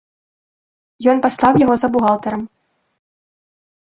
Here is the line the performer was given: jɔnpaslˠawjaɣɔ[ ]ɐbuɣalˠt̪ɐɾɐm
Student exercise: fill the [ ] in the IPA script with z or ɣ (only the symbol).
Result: z